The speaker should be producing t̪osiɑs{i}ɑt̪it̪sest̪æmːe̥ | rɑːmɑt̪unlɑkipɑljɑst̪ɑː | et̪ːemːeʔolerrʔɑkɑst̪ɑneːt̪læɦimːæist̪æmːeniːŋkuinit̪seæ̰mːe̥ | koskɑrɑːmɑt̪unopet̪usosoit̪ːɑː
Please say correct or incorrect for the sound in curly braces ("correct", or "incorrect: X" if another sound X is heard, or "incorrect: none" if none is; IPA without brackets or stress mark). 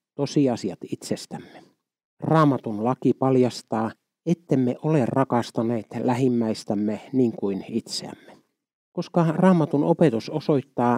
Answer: correct